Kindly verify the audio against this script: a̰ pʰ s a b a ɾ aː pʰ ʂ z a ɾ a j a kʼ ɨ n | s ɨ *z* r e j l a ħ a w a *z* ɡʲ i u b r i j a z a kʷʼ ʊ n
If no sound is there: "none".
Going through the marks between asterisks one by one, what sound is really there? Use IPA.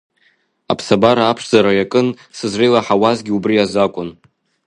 z, z

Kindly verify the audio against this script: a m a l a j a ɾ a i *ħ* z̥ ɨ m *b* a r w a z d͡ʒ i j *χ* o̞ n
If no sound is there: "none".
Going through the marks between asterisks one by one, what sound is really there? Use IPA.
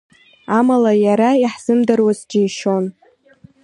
ħ, d, ʃ

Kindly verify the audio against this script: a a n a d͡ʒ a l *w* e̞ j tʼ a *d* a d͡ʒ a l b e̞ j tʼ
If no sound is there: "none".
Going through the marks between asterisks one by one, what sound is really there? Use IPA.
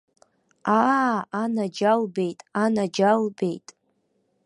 b, n

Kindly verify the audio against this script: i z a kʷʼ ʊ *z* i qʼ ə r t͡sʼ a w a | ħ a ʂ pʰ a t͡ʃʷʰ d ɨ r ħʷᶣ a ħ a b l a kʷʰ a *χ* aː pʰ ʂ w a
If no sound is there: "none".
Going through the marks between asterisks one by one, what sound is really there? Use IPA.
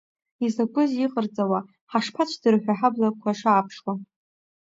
z, ʂ

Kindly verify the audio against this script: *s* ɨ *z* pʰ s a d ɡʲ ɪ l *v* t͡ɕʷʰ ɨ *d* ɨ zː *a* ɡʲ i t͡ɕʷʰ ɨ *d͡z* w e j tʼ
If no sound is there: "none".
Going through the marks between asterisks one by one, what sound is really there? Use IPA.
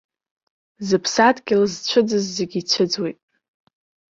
z, none, z, d͡z, e, d͡z

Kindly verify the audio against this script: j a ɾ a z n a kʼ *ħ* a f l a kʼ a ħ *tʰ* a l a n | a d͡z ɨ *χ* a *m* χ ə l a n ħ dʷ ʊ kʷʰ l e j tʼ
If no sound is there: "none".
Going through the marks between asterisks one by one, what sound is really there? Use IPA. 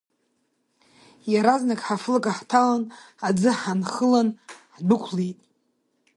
ħ, tʰ, ħ, n

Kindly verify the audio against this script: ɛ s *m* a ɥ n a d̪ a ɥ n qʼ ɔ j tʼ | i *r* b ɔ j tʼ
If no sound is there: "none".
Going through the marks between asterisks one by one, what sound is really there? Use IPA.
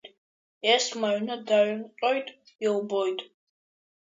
m, l

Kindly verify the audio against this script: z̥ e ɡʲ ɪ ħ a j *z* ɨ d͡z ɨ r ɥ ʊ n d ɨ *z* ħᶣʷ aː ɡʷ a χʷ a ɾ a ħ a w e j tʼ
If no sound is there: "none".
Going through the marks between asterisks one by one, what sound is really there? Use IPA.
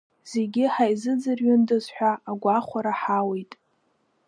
z, z

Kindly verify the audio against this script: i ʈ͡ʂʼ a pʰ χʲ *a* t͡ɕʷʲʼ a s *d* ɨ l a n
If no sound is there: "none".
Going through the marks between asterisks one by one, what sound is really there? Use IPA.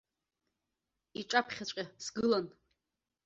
a, ɡ

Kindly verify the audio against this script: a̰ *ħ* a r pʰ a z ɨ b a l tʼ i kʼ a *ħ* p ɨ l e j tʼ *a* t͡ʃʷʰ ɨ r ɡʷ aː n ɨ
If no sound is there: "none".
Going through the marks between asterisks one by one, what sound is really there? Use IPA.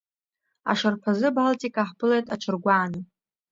ʂ, ħ, a

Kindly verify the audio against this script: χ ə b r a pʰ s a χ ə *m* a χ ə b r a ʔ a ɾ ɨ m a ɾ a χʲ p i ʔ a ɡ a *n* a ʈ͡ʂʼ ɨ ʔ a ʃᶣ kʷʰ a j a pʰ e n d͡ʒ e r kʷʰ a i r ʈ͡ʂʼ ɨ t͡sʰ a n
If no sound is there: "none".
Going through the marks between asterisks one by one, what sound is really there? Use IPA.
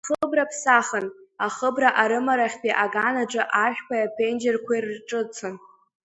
n, n

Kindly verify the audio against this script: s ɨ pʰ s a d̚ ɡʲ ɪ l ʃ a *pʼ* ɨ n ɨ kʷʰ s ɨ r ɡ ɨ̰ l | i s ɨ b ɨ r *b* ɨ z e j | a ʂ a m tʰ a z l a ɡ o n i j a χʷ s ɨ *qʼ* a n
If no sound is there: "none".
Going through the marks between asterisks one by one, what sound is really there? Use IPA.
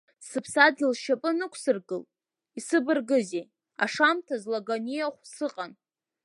pʼ, ɡ, qʼ

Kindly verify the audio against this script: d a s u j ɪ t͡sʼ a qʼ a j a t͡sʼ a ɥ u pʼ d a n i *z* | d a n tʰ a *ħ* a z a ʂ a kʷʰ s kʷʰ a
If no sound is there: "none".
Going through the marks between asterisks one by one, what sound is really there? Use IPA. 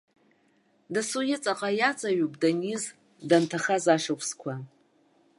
z, χ

